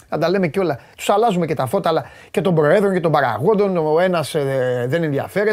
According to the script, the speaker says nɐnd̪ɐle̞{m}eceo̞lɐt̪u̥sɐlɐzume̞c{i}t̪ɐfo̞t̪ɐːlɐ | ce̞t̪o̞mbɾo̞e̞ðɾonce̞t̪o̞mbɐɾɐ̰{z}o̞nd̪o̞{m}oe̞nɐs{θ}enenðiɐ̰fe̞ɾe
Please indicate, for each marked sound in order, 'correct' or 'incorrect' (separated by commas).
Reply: correct, incorrect, incorrect, incorrect, incorrect